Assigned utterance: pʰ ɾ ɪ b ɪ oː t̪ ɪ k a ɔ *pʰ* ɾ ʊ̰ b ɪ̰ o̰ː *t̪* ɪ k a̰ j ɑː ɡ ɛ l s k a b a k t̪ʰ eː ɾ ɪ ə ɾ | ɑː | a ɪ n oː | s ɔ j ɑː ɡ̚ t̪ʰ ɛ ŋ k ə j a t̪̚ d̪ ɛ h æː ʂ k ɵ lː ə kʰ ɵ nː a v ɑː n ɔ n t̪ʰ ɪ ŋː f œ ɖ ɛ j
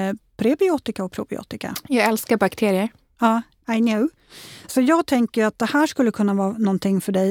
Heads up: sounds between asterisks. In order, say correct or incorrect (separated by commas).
correct, correct